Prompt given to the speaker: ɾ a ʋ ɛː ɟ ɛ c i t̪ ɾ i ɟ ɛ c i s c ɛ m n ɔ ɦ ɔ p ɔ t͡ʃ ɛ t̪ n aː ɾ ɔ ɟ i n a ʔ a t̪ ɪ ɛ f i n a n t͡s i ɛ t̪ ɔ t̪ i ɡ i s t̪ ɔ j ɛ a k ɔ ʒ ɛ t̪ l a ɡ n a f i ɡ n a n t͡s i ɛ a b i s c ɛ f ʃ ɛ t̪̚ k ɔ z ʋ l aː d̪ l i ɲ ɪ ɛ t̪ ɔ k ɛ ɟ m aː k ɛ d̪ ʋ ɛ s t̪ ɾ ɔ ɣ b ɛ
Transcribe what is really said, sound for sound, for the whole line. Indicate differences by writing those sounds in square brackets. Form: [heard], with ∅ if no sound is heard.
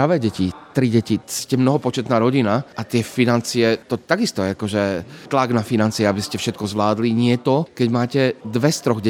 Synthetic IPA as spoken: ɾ a ʋ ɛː ɟ ɛ c i t̪ ɾ i ɟ ɛ c i s c ɛ m n ɔ ɦ ɔ p ɔ t͡ʃ ɛ t̪ n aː ɾ ɔ ɟ i n a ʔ a t̪ ɪ ɛ f i n a n t͡s i ɛ t̪ ɔ t̪ [a] ɡ i s t̪ ɔ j ɛ a k ɔ ʒ ɛ t̪ l a ɡ n a f i [∅] n a n t͡s i ɛ a b i s c ɛ f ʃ ɛ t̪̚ k ɔ z ʋ l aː d̪ l i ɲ ɪ ɛ t̪ ɔ k ɛ ɟ m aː [c] ɛ d̪ ʋ ɛ s t̪ ɾ ɔ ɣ [ɟ] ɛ